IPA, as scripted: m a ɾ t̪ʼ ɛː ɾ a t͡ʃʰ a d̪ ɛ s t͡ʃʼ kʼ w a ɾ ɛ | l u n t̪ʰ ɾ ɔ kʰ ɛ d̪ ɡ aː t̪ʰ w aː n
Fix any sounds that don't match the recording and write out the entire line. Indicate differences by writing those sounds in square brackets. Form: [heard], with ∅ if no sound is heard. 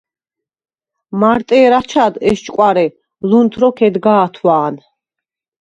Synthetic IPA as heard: m a ɾ t̪ʼ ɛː ɾ a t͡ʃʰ a d̪ ɛ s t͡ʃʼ kʼ w a ɾ ɛ | l u n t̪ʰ ɾ ɔ kʰ ɛ d̪ ɡ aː t̪ʰ w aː n